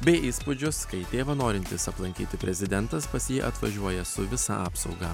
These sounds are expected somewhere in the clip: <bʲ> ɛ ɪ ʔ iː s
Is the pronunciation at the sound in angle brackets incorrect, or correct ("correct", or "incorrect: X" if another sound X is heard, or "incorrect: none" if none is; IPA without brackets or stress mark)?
correct